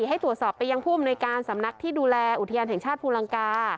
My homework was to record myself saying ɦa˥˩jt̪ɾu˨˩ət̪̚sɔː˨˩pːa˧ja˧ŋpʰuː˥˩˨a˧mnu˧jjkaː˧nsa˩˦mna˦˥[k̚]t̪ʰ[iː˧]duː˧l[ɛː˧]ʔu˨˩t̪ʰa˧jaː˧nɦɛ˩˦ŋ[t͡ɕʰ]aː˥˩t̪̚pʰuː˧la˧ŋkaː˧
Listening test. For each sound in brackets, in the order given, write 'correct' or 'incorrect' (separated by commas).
correct, incorrect, correct, correct